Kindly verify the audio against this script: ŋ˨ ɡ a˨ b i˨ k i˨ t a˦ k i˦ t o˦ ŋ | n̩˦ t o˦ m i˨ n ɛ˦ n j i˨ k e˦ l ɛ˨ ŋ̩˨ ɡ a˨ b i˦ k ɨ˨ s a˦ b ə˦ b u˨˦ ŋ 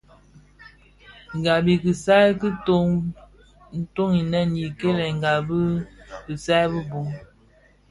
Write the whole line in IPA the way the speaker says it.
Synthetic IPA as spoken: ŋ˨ ɡ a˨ b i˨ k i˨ s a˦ k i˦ t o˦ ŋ | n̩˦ t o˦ ŋ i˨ n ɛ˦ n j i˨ k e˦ l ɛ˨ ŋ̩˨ ɡ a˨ b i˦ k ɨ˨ s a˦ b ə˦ b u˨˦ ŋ

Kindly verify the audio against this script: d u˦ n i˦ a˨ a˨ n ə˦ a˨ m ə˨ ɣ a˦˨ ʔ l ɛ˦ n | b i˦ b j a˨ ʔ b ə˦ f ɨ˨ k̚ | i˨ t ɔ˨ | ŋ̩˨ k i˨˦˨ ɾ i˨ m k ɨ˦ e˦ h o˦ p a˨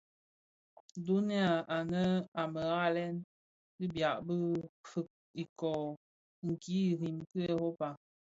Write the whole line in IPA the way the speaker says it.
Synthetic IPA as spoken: d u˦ n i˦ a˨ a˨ n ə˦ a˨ m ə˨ ɣ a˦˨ l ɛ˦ n | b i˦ b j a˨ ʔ b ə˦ f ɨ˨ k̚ | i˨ k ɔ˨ | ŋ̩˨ k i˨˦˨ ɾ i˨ m k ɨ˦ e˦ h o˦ p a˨

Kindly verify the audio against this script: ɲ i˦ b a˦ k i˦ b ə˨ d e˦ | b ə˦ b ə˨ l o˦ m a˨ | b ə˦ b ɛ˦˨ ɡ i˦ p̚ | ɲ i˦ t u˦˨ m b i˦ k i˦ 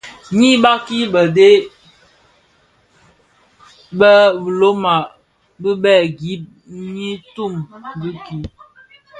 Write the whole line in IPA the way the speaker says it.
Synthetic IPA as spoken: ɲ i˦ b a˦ k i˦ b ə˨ d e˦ | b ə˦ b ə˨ l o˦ m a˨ | b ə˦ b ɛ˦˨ ɡ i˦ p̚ | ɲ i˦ t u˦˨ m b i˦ k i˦

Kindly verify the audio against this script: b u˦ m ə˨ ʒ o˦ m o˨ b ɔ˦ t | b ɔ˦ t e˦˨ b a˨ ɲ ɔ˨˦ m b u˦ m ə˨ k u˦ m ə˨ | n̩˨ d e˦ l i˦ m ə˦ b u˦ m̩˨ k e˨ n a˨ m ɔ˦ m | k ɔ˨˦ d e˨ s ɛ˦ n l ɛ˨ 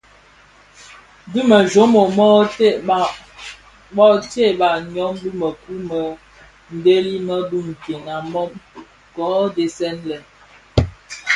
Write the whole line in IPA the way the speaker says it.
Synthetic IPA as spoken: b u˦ m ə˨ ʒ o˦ m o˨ m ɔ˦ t | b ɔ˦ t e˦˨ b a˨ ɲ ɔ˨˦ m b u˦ m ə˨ k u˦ m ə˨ | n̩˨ d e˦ l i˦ m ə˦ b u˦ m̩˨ k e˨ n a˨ m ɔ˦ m | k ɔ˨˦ d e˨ s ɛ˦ n l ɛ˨

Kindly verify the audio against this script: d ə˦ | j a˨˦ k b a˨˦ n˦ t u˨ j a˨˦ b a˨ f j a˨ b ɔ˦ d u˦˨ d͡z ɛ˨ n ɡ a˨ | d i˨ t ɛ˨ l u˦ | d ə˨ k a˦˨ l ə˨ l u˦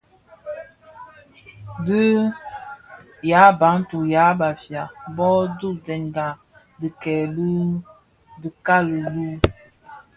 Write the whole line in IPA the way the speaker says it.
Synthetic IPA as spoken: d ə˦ | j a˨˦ b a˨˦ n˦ t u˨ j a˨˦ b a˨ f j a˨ b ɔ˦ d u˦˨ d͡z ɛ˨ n ɡ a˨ | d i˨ k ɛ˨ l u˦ | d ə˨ k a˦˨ l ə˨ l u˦

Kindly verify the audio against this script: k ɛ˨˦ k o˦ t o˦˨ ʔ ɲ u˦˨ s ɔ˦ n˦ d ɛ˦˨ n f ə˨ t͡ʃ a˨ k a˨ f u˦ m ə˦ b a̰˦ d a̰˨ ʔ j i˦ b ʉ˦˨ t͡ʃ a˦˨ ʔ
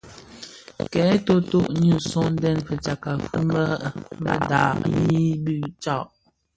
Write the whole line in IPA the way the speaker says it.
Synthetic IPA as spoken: k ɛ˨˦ t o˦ t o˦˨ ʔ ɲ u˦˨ s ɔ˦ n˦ d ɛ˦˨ n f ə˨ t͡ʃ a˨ k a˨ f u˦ m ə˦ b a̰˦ d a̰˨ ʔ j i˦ b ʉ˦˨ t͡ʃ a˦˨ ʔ

